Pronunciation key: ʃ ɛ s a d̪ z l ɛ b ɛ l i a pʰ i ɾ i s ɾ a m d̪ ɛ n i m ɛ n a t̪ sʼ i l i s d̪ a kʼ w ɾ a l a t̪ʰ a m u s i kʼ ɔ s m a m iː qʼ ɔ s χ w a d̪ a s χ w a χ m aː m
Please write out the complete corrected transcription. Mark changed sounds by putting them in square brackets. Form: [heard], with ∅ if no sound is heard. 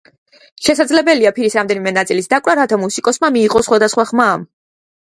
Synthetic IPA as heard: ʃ ɛ s a d̪ z l ɛ b ɛ l i a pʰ i ɾ i s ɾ a m d̪ ɛ n i m ɛ n a t̪ sʼ i l i s d̪ a kʼ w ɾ a [ɾ] a t̪ʰ a m u s i kʼ ɔ s m a m iː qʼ ɔ s χ w a d̪ a s χ w a χ m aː m